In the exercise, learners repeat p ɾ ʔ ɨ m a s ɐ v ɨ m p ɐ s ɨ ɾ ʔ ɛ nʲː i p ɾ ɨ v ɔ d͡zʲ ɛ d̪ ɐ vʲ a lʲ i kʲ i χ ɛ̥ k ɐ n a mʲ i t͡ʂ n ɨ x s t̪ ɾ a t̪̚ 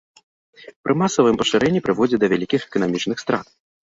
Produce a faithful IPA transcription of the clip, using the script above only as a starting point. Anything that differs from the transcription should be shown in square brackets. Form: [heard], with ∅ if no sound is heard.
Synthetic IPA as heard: p ɾ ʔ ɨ m a s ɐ v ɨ m p ɐ [ʂ] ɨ ɾ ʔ ɛ nʲː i p ɾ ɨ v ɔ d͡zʲ ɛ d̪ ɐ vʲ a lʲ i kʲ i [x] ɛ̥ k ɐ n a mʲ i t͡ʂ n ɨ x s t̪ ɾ a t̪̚

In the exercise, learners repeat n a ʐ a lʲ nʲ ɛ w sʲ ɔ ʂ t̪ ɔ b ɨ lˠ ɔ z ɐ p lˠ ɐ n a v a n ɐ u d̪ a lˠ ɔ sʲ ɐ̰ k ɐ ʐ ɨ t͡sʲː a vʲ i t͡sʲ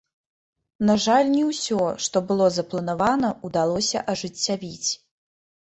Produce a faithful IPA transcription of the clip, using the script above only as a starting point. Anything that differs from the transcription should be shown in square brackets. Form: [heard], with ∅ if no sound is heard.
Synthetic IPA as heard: n a ʐ a lʲ nʲ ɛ w sʲ ɔ ʂ t̪ ɔ b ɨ lˠ ɔ z ɐ p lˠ ɐ n a v a n ɐ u d̪ a lˠ ɔ sʲ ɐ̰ [ʔ] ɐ ʐ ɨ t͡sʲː a vʲ i t͡sʲ

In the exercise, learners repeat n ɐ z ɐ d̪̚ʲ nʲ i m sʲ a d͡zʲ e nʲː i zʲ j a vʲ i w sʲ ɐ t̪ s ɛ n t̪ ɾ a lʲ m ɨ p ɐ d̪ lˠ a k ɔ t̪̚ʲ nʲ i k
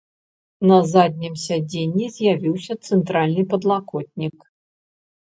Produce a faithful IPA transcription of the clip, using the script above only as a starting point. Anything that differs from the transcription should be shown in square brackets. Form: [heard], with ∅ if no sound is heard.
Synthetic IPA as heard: n ɐ z [a] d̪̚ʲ nʲ i m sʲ a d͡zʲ e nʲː i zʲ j a vʲ i w sʲ ɐ t̪ s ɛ n t̪ ɾ a lʲ [n] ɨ p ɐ d̪ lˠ a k ɔ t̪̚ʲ nʲ i k

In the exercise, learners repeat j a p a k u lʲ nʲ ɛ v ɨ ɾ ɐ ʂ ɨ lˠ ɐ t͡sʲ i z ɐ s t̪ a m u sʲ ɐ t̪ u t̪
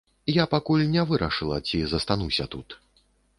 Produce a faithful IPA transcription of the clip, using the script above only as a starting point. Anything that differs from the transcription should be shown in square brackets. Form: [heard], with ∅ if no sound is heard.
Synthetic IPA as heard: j a p a k u lʲ nʲ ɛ v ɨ ɾ ɐ ʂ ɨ lˠ ɐ t͡sʲ i z ɐ s t̪ a [n] u sʲ ɐ t̪ u t̪

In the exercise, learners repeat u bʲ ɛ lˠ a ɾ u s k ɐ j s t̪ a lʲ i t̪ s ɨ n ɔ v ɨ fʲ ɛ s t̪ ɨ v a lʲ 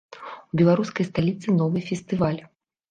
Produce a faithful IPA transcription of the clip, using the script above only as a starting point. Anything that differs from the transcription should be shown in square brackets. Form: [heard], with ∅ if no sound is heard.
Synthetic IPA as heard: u bʲ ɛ lˠ a ɾ u s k ɐ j s t̪ a lʲ i t̪ s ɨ n ɔ v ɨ fʲ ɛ s t̪ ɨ v a lʲ

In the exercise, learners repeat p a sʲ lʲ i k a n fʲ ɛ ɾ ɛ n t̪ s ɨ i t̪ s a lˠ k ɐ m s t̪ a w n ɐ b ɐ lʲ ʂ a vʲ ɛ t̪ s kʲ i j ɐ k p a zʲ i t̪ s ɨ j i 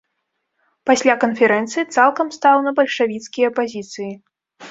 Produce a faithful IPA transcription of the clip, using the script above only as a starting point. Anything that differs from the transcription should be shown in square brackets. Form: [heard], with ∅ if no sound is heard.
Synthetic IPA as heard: p a sʲ lʲ [a] k [ɐ] n fʲ ɛ ɾ ɛ n t̪ s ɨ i t̪ s a lˠ k ɐ m s t̪ a w n ɐ b ɐ lʲ ʂ a vʲ [i] t̪ s kʲ i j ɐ [∅] p a zʲ i t̪ s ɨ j i

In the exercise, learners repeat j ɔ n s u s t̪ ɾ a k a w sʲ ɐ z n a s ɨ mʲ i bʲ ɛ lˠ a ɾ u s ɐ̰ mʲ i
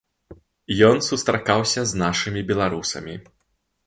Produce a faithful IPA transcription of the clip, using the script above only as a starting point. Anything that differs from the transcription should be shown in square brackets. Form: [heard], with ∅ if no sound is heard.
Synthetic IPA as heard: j ɔ n s u s t̪ ɾ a k a w sʲ ɐ z n a [ʂ] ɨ mʲ i bʲ ɛ lˠ a ɾ u s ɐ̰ mʲ i

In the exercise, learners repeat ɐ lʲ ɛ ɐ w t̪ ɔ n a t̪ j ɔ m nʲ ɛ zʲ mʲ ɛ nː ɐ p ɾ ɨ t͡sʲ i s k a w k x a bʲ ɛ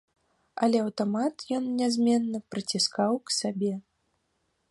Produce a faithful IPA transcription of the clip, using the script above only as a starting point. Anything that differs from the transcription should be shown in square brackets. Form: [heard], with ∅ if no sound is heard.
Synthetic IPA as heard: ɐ lʲ ɛ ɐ w t̪ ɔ [m] a t̪ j ɔ [n] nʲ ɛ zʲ mʲ ɛ nː ɐ p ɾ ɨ t͡sʲ i s k a w k [s] a bʲ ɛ

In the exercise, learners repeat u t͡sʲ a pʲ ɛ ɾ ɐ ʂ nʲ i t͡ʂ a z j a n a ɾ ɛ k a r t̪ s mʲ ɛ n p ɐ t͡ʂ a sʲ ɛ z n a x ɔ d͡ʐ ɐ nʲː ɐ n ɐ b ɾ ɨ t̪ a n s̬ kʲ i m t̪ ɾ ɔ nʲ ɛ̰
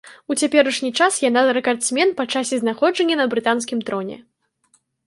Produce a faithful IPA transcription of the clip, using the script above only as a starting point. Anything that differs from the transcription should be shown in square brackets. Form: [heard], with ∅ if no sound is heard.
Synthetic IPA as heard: u t͡sʲ a pʲ ɛ ɾ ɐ ʂ nʲ i t͡ʂ a [s] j a n a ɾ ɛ k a r t̪ s mʲ ɛ n p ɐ t͡ʂ a sʲ ɛ z n a x ɔ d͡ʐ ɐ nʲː ɐ n ɐ b ɾ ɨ t̪ a n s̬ kʲ i m t̪ ɾ ɔ nʲ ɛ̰

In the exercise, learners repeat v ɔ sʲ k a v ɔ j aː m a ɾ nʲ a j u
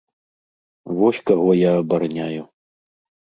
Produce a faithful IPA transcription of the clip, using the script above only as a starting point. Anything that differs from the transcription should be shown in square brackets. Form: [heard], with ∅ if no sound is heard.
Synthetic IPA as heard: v ɔ sʲ k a [ɣ] ɔ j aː [b] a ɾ nʲ a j u

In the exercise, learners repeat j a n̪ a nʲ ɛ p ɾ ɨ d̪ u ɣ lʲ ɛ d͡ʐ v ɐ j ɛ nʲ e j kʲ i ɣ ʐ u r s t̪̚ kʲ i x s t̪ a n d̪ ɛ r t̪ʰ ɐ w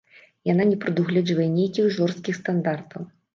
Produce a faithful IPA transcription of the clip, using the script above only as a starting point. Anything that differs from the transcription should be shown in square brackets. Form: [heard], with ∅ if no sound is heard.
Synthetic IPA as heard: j a n̪ a nʲ ɛ p ɾ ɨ d̪ u ɣ lʲ ɛ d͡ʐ v ɐ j ɛ nʲ e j kʲ i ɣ ʐ [ɔ] r s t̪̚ kʲ i x s t̪ a n d̪ [a] r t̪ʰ ɐ w

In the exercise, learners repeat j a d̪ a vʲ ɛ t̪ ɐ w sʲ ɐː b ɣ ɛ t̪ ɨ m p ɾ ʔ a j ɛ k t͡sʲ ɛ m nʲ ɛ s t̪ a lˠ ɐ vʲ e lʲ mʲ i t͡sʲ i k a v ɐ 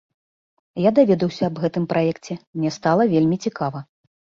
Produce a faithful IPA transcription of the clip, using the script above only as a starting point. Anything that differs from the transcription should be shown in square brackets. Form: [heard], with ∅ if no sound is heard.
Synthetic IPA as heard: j a d̪ a vʲ ɛ [d̪] ɐ w sʲ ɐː b ɣ ɛ t̪ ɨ m p ɾ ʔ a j ɛ k t͡sʲ ɛ m nʲ ɛ s t̪ a lˠ ɐ vʲ e lʲ mʲ i t͡sʲ i k a v ɐ

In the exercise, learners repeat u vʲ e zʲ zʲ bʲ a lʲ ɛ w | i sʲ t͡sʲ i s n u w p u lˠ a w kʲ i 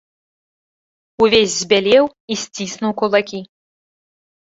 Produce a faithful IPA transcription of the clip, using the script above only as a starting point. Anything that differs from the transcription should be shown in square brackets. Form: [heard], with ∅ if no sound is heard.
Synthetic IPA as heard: u vʲ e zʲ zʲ bʲ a lʲ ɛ w | i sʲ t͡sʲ i s n u w [k] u lˠ a [∅] kʲ i

